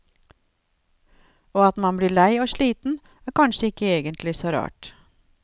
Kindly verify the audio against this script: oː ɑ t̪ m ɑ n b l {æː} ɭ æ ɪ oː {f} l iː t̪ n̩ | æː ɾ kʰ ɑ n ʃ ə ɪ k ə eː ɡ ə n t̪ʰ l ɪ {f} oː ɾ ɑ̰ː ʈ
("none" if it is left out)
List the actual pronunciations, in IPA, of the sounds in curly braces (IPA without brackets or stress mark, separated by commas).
iː, ʃ, s